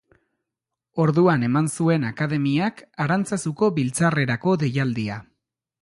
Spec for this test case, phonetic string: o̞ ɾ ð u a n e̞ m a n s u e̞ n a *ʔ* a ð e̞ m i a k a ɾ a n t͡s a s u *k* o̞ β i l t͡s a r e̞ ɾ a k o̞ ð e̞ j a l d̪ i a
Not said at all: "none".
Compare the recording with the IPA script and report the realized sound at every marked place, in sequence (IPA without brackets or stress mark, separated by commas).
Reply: k, k